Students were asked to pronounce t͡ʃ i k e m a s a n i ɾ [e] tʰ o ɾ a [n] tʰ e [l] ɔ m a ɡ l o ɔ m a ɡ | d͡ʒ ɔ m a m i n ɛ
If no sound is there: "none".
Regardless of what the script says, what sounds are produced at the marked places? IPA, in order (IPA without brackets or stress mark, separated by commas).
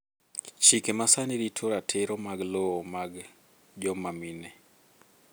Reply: i, none, ɾ